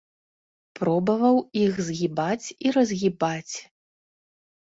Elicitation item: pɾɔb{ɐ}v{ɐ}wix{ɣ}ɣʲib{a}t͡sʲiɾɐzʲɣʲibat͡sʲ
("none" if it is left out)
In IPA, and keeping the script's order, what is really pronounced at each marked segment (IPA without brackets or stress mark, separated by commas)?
ɐ, ɐ, z, a